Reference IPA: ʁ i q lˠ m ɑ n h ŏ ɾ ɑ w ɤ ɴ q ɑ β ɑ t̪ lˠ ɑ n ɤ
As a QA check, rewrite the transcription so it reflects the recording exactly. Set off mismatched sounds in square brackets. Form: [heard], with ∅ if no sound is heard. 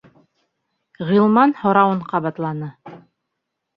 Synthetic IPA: ʁ i [∅] lˠ m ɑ n h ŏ ɾ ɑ w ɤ ɴ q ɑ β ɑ t̪ lˠ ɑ n ɤ